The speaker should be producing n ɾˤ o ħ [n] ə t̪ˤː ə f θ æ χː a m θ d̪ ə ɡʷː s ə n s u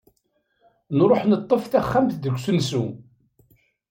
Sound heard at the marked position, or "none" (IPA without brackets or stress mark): n